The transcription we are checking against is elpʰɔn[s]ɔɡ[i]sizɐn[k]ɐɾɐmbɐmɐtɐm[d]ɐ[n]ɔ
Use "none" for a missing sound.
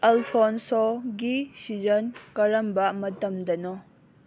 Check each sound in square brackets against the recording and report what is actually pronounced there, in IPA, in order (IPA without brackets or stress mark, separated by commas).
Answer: s, i, k, d, n